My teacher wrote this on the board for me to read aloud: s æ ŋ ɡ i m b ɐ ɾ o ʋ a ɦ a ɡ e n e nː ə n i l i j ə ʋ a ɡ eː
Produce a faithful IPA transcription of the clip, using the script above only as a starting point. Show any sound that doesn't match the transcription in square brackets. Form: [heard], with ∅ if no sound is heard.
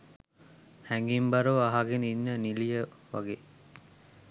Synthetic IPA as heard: [h] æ ŋ ɡ i m b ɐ ɾ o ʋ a ɦ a ɡ e n [i] nː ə n i l i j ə ʋ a ɡ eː

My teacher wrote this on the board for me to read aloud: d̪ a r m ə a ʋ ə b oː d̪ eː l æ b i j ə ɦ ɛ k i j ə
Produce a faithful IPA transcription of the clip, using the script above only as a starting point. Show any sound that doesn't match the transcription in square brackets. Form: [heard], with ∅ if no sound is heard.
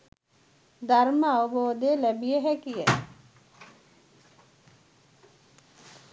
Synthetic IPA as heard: d̪ a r m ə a ʋ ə b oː d̪ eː l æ b i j ə ɦ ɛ k i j ə

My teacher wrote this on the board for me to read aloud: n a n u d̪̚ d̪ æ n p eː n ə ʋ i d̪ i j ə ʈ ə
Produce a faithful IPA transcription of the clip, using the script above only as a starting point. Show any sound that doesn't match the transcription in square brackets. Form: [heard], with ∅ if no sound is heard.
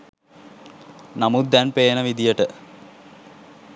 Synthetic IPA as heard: n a [m] u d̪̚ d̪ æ n p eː n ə ʋ i d̪ i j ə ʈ ə

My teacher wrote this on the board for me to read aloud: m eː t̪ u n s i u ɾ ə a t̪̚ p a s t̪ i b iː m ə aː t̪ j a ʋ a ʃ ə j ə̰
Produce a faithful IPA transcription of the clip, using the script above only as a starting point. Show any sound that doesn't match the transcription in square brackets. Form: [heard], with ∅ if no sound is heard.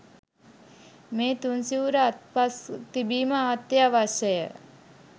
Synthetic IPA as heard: m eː t̪ u n s i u ɾ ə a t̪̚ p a s t̪ i b iː m ə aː t̪ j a ʋ a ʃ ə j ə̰

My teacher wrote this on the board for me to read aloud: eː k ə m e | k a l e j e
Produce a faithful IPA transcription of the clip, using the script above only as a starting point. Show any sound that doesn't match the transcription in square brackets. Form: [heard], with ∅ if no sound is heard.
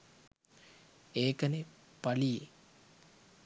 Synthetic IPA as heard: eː k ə [n] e | [p] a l [i] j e

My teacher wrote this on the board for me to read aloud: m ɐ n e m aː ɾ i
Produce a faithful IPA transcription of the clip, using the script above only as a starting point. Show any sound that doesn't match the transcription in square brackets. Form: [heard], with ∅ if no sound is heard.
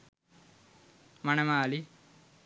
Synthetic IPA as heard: m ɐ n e m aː [l] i

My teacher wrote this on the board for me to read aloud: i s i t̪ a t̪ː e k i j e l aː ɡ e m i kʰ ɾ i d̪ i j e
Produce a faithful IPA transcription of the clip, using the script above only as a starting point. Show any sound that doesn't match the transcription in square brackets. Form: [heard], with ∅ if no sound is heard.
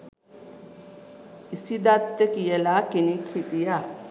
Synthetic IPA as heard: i s i [d̪] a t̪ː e k i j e l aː [k] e [n] i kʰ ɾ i [t̪] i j [a]

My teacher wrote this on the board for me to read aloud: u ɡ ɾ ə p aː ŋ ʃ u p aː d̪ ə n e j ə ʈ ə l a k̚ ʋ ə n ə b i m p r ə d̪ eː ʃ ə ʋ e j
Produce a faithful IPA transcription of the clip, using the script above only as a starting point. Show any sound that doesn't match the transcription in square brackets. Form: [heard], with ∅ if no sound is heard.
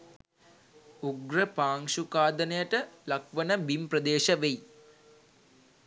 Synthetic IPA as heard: u ɡ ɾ ə p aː ŋ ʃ u [k] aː d̪ ə n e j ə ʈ ə l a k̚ ʋ ə n ə b i m p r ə d̪ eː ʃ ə ʋ e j

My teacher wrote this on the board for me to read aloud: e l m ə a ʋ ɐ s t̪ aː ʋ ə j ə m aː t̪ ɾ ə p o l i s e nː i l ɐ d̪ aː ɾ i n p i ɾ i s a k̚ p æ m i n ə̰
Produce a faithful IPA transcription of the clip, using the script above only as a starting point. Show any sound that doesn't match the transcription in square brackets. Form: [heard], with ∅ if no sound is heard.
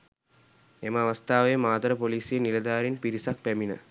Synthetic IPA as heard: e [∅] m ə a ʋ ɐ s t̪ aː ʋ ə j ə m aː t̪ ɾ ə p o l [iː] s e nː i l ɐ d̪ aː ɾ i n p i ɾ i s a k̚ p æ m i n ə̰

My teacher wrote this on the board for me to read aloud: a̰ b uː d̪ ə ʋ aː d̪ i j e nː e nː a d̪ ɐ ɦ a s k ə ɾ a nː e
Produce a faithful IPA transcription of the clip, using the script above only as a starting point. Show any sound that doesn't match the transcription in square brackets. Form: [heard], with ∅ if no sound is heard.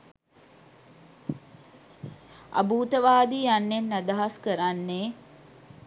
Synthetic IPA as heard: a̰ b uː [t̪] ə ʋ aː d̪ i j [a] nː e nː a d̪ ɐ ɦ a s k ə ɾ a nː e

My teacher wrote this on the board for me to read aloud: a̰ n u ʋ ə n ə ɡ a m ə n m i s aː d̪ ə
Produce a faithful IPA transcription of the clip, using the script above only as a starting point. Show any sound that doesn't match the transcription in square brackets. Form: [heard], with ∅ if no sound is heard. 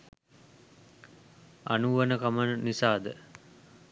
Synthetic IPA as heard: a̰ n u ʋ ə n ə [k] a m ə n [n] i s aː d̪ ə

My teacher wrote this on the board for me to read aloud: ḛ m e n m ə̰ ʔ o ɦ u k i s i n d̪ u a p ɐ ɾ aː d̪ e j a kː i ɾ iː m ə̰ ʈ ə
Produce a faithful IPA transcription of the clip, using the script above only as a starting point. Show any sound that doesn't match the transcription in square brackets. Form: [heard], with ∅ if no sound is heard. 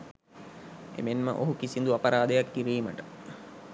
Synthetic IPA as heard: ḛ m e n m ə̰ ʔ o ɦ u k i s i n d̪ u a p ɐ ɾ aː d̪ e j a kː i ɾ iː m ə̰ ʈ ə

